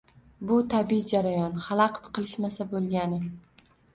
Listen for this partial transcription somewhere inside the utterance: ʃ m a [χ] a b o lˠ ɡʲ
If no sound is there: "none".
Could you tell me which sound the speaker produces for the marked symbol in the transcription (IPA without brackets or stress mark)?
s